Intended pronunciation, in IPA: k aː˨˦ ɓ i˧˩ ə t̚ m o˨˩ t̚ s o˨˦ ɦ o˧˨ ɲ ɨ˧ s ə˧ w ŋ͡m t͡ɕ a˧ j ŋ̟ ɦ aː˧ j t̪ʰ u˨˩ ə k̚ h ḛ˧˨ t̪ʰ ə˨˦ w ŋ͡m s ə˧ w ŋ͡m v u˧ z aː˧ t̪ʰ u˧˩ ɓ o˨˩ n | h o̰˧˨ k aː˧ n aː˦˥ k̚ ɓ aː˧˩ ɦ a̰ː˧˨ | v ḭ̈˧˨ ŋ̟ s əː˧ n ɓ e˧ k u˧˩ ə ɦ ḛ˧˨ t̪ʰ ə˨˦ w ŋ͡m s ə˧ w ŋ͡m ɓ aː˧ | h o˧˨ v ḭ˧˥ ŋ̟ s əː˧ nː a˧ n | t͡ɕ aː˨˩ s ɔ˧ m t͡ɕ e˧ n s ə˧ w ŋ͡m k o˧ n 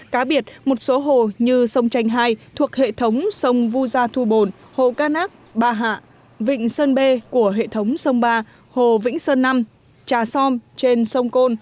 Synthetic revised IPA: k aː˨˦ ɓ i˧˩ ə t̚ m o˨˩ t̚ s o˨˦ ɦ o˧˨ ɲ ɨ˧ s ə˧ w ŋ͡m t͡ɕ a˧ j ŋ̟ ɦ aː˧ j t̪ʰ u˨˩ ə k̚ h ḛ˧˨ t̪ʰ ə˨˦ w ŋ͡m s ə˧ w ŋ͡m v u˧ z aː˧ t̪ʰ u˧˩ ɓ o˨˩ n | h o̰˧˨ k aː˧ n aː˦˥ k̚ ɓ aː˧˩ ɦ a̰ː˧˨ | v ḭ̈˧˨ ŋ̟ s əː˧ n ɓ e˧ k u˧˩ ə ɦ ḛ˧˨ t̪ʰ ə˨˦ w ŋ͡m s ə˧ w ŋ͡m ɓ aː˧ | h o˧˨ v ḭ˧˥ ŋ̟ s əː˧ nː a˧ m | t͡ɕ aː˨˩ s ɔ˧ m t͡ɕ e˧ n s ə˧ w ŋ͡m k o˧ n